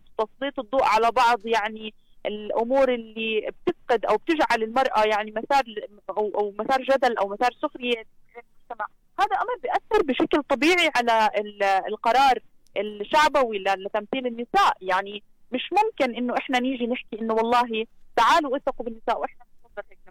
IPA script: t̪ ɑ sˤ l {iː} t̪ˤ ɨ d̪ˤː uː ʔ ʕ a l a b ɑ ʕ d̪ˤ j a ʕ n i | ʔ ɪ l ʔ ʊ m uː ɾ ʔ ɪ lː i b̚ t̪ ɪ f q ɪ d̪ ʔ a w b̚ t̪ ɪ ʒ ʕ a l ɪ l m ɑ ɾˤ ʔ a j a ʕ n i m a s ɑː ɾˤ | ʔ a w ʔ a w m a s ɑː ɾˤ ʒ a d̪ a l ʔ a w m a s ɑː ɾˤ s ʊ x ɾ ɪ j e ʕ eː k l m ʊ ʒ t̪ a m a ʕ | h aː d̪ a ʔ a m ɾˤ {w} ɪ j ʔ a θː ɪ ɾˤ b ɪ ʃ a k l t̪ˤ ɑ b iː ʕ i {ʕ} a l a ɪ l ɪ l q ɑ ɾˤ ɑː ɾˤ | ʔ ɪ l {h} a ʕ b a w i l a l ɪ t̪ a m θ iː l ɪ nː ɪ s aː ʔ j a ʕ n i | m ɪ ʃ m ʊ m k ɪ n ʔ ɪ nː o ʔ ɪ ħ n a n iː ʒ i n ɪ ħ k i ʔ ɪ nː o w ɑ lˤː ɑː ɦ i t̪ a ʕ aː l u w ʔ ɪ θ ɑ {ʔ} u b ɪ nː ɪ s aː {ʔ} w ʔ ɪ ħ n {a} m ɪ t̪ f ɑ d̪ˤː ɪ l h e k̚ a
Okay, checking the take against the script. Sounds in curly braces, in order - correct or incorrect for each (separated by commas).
correct, incorrect, correct, incorrect, incorrect, correct, correct